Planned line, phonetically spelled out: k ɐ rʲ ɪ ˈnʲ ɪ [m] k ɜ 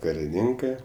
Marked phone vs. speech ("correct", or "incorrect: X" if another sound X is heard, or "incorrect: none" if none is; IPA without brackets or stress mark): incorrect: ŋ